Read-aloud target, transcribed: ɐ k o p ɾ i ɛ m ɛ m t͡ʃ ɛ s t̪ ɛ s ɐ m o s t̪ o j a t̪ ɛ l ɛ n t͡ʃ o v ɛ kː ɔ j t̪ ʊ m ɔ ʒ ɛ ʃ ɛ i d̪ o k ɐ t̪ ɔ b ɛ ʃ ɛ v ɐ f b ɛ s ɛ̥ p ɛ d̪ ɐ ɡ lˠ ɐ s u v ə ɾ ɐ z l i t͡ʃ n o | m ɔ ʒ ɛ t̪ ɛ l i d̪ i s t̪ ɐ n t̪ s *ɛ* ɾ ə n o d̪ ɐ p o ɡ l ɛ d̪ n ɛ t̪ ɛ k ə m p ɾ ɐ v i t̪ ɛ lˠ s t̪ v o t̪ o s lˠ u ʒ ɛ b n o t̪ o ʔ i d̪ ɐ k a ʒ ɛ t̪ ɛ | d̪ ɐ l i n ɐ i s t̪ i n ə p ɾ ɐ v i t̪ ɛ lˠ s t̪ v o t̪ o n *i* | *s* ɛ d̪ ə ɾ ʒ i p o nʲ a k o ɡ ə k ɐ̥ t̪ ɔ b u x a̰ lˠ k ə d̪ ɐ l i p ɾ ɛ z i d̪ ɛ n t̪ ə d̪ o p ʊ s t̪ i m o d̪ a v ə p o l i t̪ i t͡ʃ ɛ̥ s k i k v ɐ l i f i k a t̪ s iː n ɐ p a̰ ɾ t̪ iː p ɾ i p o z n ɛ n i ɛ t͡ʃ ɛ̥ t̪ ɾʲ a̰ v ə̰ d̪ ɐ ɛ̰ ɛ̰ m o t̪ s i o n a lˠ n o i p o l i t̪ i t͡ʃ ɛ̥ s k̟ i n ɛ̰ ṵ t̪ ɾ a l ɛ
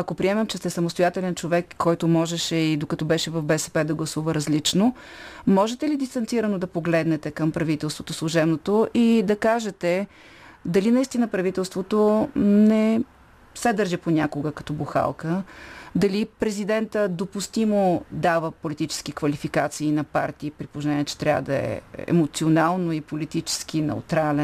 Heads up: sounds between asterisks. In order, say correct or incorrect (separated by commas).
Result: incorrect, incorrect, correct